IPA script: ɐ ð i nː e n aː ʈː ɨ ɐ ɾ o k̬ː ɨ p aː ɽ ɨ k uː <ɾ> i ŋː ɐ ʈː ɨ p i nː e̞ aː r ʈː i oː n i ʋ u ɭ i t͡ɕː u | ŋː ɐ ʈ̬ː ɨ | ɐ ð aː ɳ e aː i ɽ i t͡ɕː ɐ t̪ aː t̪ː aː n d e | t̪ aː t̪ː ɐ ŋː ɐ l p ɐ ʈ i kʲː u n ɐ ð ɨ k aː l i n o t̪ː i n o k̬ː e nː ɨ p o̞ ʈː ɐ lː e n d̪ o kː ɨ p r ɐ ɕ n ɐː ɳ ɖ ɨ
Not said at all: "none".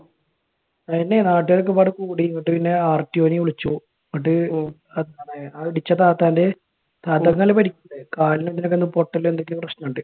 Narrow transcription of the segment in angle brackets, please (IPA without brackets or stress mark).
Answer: ɽ